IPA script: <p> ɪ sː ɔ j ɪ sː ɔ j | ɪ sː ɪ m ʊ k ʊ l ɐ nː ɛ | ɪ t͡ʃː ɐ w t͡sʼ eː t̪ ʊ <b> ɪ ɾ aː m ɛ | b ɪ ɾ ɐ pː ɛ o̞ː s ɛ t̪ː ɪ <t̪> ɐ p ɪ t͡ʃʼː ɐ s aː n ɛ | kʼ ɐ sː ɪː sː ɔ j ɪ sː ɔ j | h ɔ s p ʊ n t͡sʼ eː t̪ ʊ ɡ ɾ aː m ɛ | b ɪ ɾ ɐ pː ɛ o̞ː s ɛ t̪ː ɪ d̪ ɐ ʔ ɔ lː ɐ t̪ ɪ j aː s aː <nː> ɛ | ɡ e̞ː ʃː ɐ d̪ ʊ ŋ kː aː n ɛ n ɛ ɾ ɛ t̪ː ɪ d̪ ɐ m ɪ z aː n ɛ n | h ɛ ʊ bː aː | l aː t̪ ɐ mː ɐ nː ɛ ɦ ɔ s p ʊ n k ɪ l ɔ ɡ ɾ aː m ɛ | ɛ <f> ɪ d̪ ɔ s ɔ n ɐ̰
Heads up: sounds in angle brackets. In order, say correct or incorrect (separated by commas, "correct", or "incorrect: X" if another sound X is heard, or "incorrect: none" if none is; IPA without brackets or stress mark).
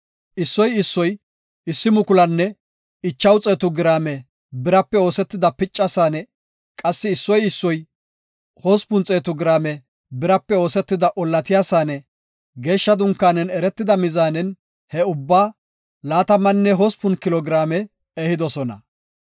incorrect: ʔ, incorrect: ɡ, incorrect: d̪, incorrect: n, incorrect: h